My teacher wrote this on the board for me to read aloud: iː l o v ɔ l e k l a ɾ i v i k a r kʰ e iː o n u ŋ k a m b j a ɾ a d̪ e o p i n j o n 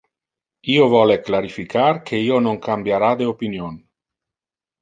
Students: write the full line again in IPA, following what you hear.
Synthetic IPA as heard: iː o v ɔ l e k l a ɾ i f i k a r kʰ e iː o n o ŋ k a m b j a ɾ a d̪ e o p i n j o n